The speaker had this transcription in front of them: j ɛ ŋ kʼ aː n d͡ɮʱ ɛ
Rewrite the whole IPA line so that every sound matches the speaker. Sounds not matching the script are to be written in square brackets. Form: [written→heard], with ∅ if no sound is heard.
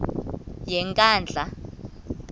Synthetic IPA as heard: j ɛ ŋ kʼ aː n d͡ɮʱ [ɛ→a]